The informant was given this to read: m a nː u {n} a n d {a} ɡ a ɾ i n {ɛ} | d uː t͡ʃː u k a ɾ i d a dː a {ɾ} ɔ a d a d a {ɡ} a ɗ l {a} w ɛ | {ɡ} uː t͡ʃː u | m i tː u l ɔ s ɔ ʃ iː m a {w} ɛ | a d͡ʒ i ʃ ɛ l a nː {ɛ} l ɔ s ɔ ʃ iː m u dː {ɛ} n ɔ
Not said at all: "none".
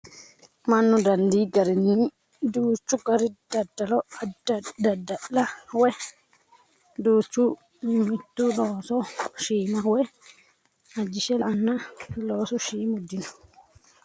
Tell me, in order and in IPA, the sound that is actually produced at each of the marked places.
d, i, i, l, d, a, d, w, a, i

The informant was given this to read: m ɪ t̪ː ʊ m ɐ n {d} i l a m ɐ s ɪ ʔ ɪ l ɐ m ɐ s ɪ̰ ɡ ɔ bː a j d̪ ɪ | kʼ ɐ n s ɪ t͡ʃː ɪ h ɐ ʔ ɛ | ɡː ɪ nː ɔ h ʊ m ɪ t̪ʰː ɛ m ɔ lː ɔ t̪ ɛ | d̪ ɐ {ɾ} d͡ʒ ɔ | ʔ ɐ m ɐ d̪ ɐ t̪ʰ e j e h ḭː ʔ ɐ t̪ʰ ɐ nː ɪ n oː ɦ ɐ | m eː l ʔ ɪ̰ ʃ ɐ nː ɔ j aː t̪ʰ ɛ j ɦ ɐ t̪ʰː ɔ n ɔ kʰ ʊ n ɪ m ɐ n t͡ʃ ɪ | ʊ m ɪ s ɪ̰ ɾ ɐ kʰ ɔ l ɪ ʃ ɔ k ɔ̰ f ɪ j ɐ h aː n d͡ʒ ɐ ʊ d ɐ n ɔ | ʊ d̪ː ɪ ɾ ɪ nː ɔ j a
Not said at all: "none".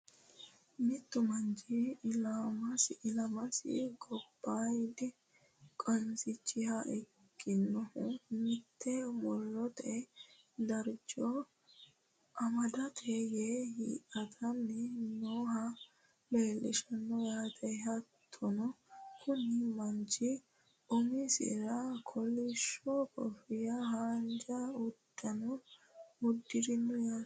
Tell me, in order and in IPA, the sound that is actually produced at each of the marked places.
d͡ʒ, ɾ

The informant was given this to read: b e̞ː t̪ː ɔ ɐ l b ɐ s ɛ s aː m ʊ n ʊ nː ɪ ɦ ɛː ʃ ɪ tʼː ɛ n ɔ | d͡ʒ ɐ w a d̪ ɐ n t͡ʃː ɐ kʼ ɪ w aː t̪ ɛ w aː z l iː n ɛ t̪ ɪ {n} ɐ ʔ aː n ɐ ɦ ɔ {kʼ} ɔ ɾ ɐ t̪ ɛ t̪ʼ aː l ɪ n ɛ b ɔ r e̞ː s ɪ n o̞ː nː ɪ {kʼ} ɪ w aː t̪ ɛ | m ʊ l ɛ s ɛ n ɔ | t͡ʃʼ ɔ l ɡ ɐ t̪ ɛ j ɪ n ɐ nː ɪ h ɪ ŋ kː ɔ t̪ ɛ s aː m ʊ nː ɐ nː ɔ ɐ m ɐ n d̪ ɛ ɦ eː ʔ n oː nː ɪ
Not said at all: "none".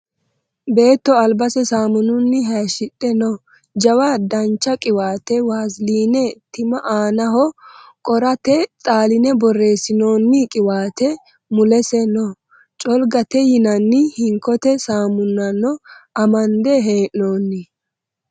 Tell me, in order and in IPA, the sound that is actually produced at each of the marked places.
m, kʼ, kʼ

